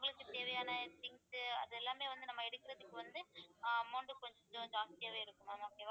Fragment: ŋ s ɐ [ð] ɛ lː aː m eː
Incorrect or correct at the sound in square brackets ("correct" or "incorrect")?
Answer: correct